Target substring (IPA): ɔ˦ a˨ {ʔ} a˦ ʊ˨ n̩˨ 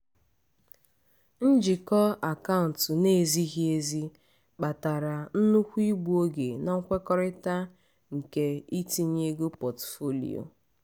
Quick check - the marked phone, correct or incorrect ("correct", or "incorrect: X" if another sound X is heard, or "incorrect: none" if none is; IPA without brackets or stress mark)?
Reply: incorrect: k